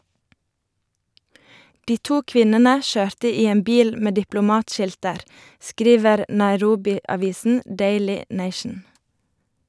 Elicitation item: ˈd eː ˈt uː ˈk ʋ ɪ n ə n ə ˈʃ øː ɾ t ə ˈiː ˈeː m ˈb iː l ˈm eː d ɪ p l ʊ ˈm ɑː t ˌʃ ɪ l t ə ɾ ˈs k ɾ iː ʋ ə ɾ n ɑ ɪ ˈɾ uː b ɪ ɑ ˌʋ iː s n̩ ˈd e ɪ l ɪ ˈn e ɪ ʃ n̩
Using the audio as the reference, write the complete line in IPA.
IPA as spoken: ˈd iː ˈt uː ˈk ʋ ɪ n ə n ə ˈʃ øː ɾ t ə ˈiː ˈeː m ˈb iː l ˈm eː d ɪ p l ʊ ˈm ɑː t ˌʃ ɪ l t ə ɾ ˈs k ɾ iː ʋ ə ɾ n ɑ ɪ ˈɾ uː b ɪ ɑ ˌʋ iː s n̩ ˈd e ɪ l ɪ ˈn e ɪ ʃ n̩